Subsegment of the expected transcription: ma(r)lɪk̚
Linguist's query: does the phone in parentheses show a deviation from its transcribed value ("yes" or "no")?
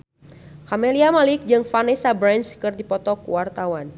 yes